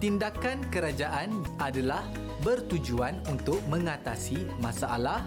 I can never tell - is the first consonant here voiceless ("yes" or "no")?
yes